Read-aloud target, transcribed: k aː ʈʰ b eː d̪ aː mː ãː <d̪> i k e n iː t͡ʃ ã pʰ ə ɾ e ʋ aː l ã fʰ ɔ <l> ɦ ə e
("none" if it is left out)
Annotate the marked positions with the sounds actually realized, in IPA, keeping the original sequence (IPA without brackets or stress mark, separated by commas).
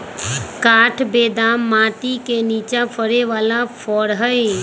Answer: t̪, ɽ